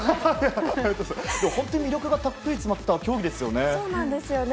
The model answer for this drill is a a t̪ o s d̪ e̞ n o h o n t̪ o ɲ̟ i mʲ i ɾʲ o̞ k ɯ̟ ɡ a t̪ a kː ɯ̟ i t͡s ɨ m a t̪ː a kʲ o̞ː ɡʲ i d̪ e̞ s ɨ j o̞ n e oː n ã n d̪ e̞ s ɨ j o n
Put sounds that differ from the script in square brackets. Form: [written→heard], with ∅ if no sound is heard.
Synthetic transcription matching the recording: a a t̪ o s d̪ e̞ [n→m] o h o n t̪ o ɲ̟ i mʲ i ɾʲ o̞ k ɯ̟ ɡ a t̪ a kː ɯ̟ i t͡s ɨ m a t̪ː a kʲ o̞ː ɡʲ i d̪ e̞ s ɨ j o̞ n e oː n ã n d̪ e̞ s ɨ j o n